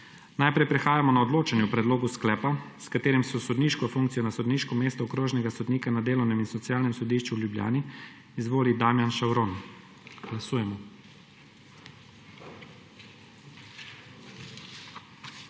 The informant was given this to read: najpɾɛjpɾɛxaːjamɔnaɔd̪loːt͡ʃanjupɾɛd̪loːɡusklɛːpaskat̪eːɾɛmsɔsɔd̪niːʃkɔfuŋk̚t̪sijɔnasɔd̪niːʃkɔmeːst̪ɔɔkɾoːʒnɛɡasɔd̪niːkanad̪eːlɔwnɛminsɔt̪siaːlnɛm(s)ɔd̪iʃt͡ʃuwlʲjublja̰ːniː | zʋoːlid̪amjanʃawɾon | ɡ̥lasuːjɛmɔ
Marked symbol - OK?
yes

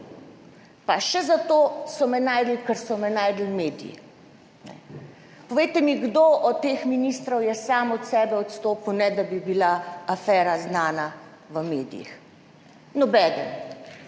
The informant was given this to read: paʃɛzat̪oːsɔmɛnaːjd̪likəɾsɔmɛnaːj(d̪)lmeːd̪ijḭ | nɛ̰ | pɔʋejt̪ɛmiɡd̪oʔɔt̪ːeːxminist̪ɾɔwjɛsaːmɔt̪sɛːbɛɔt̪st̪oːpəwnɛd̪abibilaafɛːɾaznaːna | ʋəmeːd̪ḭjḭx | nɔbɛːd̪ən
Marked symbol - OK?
yes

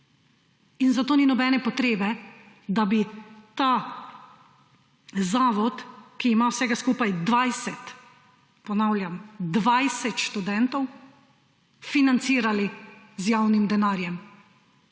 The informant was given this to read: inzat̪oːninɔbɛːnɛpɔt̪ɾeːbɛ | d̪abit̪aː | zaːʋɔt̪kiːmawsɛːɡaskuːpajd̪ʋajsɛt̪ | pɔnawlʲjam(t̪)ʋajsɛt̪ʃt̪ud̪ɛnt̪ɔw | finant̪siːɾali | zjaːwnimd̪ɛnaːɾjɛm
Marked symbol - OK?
no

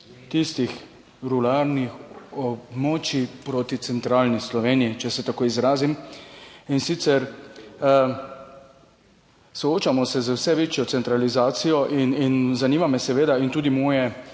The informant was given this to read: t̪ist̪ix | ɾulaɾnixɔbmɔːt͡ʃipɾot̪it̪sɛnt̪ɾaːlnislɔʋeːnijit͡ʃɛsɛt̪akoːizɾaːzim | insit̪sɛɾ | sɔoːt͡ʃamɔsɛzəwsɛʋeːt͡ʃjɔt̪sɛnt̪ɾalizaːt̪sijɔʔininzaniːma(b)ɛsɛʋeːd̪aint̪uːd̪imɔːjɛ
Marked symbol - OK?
no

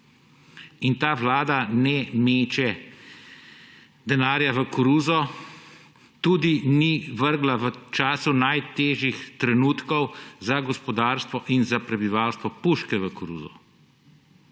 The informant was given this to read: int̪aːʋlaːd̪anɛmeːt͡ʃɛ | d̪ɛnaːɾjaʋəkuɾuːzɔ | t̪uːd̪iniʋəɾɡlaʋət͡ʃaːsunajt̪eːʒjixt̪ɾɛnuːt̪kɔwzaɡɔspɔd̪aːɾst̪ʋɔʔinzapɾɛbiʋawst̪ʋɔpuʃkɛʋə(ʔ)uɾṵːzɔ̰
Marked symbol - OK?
no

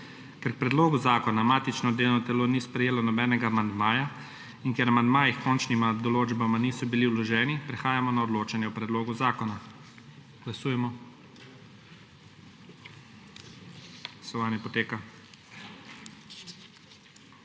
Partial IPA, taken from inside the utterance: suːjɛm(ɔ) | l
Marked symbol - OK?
yes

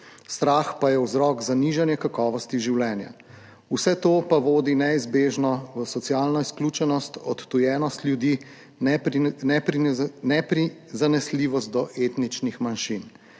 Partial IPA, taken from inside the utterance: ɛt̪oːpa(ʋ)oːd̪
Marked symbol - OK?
yes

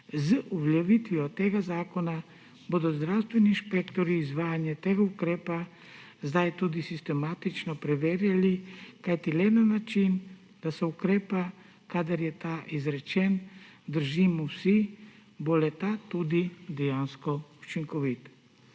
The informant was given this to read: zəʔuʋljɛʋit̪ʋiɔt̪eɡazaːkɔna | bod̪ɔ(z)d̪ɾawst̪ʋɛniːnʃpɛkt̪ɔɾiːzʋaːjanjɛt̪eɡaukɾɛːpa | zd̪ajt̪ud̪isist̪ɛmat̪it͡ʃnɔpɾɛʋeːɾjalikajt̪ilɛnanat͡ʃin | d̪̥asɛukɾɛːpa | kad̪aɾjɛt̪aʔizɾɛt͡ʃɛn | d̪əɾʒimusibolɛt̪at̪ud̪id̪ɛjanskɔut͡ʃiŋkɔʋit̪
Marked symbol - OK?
yes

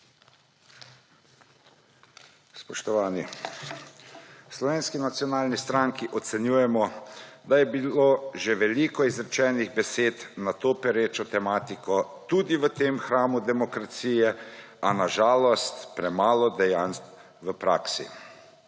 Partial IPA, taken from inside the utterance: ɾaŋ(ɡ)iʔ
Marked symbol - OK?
no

